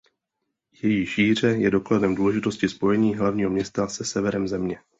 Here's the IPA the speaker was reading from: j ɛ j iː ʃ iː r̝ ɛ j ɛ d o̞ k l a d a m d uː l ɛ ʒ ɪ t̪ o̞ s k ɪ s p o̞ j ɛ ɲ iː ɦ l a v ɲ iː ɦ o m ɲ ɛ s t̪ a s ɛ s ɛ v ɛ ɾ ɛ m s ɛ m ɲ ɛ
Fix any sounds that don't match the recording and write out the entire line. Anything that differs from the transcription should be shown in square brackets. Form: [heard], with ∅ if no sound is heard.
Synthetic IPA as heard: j ɛ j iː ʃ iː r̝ ɛ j ɛ d o̞ k l a d [ɛ] m d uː l ɛ ʒ ɪ t̪ o̞ s [c] ɪ s p o̞ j ɛ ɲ iː ɦ l a v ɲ iː ɦ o m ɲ ɛ s t̪ a s ɛ s ɛ v ɛ ɾ ɛ m [z] ɛ m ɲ ɛ